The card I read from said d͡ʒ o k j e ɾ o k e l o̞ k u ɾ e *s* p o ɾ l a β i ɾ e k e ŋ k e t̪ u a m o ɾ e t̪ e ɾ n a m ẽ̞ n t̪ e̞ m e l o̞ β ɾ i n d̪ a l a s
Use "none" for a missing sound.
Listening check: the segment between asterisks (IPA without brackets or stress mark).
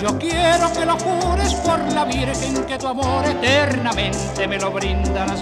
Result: s